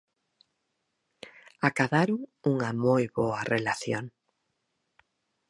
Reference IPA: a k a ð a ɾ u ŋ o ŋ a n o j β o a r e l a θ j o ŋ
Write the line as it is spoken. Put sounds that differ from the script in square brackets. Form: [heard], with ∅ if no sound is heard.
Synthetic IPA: a k a ð a ɾ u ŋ [u] ŋ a [m] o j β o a r e l a θ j o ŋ